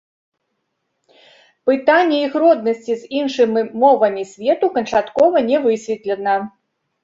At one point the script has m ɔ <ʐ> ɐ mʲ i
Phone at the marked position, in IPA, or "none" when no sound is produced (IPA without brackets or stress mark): v